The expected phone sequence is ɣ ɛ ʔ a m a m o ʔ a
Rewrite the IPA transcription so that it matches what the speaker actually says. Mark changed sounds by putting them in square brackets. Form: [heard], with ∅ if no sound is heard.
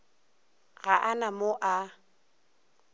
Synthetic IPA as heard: ɣ [a] ʔ a [n] a m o ʔ a